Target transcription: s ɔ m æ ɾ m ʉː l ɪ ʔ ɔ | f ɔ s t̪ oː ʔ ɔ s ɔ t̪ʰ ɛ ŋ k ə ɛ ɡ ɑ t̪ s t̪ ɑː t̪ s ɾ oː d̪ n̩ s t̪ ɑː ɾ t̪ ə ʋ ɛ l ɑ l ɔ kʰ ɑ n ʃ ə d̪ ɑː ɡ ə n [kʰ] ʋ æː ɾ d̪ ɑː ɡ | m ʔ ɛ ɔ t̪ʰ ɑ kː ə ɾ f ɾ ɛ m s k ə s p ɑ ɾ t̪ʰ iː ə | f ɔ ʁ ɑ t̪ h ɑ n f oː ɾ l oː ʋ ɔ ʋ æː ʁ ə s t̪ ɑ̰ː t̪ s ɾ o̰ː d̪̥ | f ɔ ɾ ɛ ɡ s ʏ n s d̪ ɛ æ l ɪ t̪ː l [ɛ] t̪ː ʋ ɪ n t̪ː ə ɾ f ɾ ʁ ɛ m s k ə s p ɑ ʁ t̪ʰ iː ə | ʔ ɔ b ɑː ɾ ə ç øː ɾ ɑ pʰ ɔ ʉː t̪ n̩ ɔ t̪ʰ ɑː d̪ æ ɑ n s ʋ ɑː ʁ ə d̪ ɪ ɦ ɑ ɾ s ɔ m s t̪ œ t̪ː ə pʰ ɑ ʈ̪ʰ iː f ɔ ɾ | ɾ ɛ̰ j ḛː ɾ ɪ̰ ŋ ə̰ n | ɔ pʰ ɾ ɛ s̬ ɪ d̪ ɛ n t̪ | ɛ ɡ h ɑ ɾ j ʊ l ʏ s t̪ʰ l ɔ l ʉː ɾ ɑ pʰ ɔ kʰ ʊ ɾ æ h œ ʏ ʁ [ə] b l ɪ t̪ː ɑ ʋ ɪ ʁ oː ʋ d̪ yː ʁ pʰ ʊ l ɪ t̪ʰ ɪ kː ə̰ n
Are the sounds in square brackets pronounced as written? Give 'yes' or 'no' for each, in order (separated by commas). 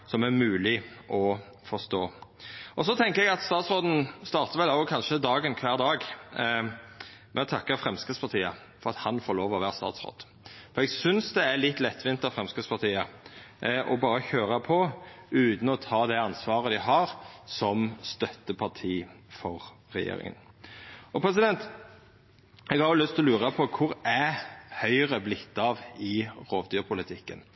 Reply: yes, yes, yes